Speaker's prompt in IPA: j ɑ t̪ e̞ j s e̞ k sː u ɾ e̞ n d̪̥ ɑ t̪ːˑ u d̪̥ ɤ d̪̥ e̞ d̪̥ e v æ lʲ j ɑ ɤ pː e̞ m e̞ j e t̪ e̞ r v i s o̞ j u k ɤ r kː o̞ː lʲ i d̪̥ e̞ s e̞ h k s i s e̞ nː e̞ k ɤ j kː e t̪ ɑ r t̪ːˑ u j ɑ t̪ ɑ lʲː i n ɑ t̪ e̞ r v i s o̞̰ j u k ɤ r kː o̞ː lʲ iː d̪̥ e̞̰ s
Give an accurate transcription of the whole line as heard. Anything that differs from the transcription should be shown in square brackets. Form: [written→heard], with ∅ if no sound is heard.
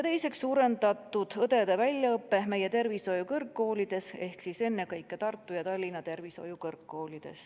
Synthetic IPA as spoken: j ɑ t̪ e̞ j s e̞ k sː [u→uː] ɾ e̞ n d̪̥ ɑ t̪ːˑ u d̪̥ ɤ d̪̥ e̞ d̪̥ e v æ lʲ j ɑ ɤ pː e̞ m e̞ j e t̪ e̞ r v i s o̞ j u k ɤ r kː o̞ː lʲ i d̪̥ e̞ s e̞ h k s i s e̞ nː e̞ k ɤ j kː e t̪ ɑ r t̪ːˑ u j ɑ t̪ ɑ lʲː i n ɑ t̪ e̞ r v i s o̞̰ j u k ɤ r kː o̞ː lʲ [iː→i] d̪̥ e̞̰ s

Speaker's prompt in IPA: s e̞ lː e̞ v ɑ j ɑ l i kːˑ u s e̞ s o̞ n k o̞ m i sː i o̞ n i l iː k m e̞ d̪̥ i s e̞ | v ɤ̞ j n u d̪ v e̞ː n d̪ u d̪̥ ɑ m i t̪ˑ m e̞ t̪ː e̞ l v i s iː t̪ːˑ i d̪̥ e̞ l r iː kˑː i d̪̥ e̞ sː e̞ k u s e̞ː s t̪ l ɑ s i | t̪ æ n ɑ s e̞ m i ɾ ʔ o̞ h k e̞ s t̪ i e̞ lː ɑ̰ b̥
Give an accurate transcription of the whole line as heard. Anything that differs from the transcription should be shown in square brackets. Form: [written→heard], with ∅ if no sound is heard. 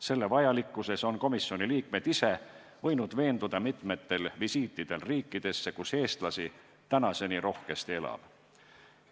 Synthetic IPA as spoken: s e̞ lː e̞ v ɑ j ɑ l i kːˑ u s e̞ s o̞ n k o̞ m i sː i o̞ n i l iː k m e̞ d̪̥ i s e̞ | v ɤ̞ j n u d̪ v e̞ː n d̪ u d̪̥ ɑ m i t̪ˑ m e̞ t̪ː e̞ l v i s iː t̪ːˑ i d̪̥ e̞ l r iː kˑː i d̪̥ e̞ sː e̞ k u s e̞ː s t̪ l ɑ s i | t̪ æ n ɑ s e̞ [m→n] i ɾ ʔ o̞ h k e̞ s t̪ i e̞ [lː→l] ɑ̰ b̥

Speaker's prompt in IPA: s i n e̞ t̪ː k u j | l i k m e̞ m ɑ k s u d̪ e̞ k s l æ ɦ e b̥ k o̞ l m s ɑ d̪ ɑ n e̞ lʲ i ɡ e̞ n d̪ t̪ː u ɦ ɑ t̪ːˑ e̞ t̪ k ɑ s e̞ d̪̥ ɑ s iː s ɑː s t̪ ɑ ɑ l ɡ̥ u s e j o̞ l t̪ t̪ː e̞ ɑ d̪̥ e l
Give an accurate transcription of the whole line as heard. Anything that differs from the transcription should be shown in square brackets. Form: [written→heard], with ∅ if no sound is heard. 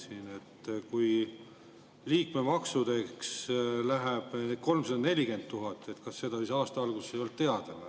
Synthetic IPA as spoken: s i n e̞ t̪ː k u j | l [i→iː] k m e̞ m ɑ k s u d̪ e̞ k s l æ ɦ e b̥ k o̞ l m s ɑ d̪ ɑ n e̞ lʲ i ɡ e̞ n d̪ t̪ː u ɦ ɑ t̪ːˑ e̞ t̪ k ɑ [s→sː] e̞ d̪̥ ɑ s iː s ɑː s t̪ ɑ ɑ l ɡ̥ u s e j o̞ l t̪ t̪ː e̞ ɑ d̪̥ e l

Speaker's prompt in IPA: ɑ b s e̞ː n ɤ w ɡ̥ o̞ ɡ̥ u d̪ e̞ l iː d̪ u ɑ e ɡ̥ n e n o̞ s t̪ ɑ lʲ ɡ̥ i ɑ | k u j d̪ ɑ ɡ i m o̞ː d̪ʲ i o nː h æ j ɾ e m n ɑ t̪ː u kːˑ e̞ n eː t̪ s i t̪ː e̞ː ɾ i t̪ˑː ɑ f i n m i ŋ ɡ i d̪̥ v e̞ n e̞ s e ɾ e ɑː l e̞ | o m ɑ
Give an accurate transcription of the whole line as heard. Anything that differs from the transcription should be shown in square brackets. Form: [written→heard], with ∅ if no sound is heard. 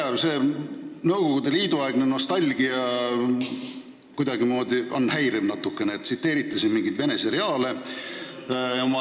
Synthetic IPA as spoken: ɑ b s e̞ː n ɤ w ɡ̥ o̞ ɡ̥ u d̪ e̞ l iː d̪ u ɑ e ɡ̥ n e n o̞ s t̪ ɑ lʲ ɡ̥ i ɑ | k u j d̪ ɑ ɡ i m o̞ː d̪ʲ i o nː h æ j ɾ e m n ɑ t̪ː u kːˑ e̞ n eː t̪ s i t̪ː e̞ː ɾ i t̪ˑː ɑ [f→s] i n m i ŋ ɡ i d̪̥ v e̞ n e̞ s e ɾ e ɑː l e̞ | o m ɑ

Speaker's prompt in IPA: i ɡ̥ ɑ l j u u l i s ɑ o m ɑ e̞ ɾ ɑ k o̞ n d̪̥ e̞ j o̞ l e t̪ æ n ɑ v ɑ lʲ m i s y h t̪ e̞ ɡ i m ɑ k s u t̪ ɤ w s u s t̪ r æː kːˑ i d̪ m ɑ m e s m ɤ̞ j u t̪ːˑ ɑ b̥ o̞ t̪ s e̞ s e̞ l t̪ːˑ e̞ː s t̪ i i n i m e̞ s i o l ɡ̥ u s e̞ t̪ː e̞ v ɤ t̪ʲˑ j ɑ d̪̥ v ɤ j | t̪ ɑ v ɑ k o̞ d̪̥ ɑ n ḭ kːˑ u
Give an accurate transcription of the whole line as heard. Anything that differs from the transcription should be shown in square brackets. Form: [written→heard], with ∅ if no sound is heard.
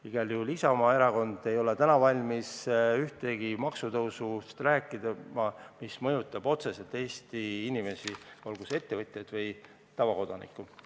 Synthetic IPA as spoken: i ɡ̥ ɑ l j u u l i s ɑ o m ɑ e̞ ɾ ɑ k o̞ n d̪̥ e̞ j o̞ l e t̪ æ n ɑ v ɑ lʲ m i s y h t̪ e̞ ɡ i m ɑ k s u t̪ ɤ w s u s t̪ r æː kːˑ i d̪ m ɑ m [e→i] s m ɤ̞ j u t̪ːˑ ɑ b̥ o̞ t̪ s e̞ s e̞ l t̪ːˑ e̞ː s t̪ i i n i m e̞ s i o l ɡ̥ u s e̞ t̪ː e̞ v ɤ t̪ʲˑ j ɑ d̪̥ v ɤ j | t̪ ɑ v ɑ k o̞ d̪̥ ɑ n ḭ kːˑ u

